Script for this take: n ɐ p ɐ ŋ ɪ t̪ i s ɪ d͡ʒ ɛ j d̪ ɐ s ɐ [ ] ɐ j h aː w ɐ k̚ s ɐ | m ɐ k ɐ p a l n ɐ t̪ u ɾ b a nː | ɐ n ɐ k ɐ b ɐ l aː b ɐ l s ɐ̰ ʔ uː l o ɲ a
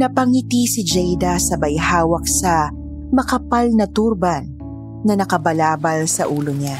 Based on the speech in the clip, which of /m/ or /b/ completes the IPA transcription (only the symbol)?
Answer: b